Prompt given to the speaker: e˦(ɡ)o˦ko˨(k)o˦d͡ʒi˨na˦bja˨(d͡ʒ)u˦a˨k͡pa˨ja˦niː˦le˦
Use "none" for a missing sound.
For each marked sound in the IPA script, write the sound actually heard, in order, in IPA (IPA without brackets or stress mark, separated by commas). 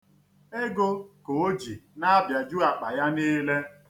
ɡ, none, d͡ʒ